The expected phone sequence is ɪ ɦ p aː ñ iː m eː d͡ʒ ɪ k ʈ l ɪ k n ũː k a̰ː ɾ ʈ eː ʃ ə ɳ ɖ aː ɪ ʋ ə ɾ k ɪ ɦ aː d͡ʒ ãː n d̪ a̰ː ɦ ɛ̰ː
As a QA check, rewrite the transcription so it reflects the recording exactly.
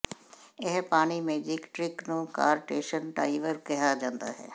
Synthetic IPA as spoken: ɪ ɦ p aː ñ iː m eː d͡ʒ ɪ k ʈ ɾ ɪ k n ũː k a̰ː ɾ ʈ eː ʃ ə n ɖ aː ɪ ʋ ə ɾ k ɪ ɦ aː d͡ʒ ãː n d̪ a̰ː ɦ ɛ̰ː